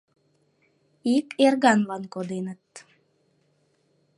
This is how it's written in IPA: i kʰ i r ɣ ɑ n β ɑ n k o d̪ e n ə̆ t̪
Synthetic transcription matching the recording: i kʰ e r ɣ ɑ n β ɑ n k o d̪ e n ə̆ t̪